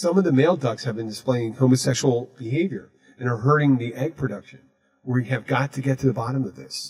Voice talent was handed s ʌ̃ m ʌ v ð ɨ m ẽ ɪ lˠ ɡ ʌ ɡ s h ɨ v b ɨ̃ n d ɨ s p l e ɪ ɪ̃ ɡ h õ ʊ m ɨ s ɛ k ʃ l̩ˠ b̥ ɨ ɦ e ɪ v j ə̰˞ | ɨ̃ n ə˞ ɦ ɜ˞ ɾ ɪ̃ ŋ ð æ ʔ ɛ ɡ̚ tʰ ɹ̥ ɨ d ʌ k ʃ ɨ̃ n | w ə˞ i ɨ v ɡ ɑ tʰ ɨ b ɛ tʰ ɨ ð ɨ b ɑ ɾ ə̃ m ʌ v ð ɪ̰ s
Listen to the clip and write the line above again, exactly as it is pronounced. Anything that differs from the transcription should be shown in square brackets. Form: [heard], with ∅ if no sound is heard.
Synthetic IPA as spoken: s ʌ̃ m ʌ v ð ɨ m [e] ɪ lˠ [d] ʌ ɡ s h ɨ v b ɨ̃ n d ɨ s p l e ɪ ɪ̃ [ŋ] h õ ʊ m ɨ s ɛ k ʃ l̩ˠ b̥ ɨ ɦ e ɪ v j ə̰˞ | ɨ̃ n ə˞ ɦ ɜ˞ ɾ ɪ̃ ŋ ð [i] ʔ ɛ ɡ̚ [pʰ] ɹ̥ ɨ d ʌ k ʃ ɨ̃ n | w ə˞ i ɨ v ɡ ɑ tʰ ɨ [ɡ] ɛ tʰ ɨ ð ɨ b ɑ ɾ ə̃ m ʌ v ð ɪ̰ s